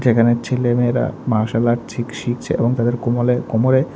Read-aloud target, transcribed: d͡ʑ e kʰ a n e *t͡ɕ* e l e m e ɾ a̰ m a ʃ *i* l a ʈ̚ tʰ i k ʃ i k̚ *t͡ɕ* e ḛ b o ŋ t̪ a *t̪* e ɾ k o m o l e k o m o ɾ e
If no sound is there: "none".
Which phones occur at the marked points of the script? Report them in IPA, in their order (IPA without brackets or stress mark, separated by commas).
t͡ɕʰ, a, t͡ɕʰ, d̪